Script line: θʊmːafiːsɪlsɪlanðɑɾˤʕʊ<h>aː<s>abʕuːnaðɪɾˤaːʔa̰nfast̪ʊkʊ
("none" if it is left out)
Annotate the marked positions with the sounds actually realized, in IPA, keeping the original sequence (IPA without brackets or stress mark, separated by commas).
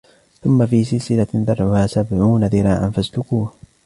h, s